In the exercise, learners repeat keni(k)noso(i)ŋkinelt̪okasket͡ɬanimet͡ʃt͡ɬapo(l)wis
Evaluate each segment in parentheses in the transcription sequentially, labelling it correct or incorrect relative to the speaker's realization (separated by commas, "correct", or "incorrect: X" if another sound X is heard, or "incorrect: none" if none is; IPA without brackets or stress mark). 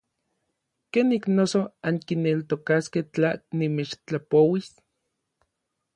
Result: correct, incorrect: a, incorrect: none